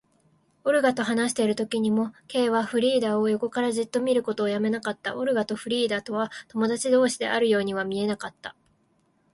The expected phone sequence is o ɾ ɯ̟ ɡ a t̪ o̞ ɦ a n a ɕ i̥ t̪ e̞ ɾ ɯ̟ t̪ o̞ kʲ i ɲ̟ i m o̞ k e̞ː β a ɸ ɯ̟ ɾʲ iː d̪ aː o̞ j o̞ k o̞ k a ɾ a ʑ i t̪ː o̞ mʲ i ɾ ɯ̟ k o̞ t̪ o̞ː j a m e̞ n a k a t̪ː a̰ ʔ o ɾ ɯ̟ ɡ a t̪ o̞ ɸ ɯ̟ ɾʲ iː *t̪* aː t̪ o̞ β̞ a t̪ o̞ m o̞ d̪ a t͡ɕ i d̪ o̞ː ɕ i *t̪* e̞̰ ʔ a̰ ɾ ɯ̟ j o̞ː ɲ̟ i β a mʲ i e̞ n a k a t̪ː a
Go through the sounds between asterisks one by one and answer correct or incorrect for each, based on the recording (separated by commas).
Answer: incorrect, incorrect